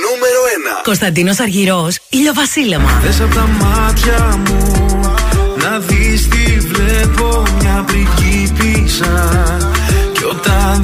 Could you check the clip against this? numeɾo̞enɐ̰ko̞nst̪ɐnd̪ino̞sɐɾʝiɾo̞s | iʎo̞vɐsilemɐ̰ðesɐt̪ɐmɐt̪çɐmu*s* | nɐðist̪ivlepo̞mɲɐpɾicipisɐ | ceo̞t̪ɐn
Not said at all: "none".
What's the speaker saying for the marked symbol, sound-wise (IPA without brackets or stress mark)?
none